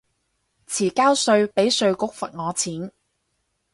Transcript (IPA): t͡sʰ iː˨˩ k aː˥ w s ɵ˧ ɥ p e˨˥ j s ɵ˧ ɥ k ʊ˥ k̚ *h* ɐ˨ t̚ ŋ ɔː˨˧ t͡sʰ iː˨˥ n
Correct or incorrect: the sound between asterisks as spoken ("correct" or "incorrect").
incorrect